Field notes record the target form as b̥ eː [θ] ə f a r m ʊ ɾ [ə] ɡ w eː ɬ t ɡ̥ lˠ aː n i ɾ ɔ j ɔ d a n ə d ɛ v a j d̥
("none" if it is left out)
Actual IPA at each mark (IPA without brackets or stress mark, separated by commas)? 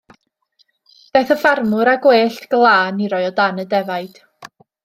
θ, a